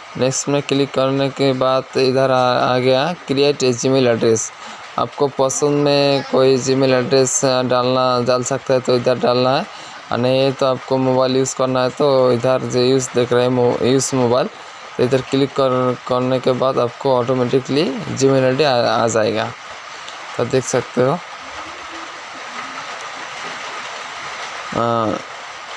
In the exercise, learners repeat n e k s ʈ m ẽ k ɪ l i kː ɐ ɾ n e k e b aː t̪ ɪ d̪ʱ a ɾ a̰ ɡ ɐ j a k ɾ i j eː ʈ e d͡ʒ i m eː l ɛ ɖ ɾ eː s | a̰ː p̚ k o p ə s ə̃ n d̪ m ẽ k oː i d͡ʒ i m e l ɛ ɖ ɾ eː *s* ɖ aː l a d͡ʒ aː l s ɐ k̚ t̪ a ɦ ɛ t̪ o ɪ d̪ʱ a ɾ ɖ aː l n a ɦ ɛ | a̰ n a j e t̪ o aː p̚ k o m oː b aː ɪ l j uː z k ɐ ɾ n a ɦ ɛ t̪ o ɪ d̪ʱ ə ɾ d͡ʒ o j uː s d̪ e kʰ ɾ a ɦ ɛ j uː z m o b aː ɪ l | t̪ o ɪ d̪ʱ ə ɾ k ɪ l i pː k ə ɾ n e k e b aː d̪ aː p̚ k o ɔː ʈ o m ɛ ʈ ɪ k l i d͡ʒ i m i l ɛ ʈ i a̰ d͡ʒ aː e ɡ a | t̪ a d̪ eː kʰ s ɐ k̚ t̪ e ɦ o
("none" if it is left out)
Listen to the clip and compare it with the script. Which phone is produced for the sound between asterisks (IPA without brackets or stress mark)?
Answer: s